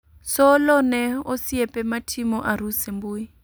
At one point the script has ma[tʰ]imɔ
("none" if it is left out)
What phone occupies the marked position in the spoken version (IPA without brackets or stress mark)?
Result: tʰ